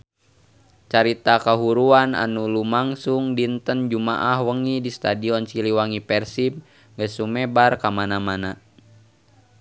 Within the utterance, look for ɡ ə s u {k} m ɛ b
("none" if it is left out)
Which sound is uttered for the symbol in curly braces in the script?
none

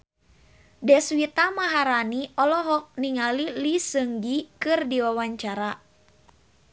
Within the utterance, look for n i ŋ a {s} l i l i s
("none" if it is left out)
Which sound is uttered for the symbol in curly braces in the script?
none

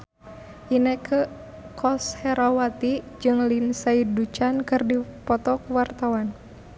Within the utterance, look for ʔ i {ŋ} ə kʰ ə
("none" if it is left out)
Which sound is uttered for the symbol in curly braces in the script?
n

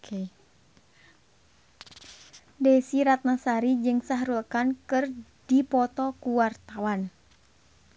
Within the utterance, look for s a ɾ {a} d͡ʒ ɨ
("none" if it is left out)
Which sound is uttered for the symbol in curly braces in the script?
i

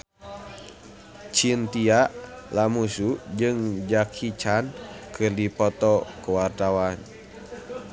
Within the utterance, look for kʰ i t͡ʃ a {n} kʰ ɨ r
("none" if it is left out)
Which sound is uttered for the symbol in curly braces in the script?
n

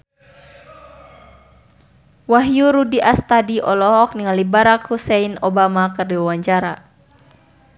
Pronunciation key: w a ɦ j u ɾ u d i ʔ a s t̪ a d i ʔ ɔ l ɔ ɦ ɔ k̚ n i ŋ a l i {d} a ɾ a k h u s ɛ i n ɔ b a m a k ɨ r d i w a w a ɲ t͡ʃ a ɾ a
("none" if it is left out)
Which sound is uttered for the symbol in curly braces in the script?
b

